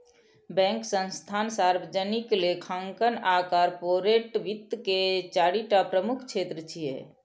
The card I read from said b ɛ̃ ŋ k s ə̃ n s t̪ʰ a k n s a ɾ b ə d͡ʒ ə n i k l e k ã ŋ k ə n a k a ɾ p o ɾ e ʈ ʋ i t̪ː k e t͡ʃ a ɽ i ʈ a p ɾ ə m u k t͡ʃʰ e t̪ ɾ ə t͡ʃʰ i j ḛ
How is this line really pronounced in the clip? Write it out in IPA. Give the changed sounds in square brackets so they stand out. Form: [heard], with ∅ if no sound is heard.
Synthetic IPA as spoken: b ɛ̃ ŋ k s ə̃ n s t̪ʰ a [∅] n s a ɾ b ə d͡ʒ ə n i k l e [kʰ] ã ŋ k ə n a k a ɾ p o ɾ e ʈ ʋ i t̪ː k e t͡ʃ a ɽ i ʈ a p ɾ ə m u [kʰ] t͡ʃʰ e t̪ ɾ ə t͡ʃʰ i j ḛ